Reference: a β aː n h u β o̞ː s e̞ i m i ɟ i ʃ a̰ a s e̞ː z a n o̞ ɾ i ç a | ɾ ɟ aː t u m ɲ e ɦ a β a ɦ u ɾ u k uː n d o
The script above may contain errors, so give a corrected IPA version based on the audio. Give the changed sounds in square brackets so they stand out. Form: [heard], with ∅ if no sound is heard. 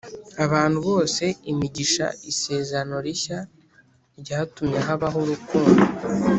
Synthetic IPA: a β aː n h u β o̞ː s e̞ i m i ɟ i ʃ a̰ [i] s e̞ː z a n o̞ ɾ i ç a | ɾ ɟ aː t u m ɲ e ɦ a β a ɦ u ɾ u k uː n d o